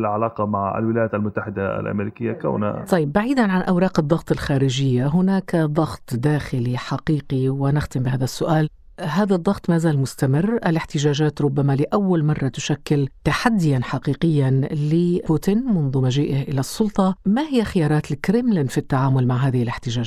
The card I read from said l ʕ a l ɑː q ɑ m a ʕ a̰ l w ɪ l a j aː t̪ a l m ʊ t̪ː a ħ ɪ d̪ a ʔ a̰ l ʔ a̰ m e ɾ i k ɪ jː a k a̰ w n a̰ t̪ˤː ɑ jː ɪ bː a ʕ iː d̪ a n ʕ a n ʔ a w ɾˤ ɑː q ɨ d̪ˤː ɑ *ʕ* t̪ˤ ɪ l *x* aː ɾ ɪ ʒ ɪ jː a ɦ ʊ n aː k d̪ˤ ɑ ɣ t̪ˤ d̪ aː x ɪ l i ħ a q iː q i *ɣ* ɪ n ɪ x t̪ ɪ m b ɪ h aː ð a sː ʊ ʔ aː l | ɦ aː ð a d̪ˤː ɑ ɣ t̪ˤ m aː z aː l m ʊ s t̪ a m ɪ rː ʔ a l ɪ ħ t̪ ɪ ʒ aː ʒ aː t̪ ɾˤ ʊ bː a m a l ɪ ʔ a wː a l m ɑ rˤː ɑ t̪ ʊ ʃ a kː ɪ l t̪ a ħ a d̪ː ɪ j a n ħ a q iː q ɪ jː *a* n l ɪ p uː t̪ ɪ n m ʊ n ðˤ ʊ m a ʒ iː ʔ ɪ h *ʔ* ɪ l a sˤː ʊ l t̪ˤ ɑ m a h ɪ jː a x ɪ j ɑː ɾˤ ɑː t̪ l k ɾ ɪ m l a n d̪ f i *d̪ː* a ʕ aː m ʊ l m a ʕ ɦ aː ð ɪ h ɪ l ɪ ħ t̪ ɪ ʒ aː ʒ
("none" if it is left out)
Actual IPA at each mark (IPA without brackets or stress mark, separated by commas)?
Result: ɣ, x, w, a, ʔ, t̪ː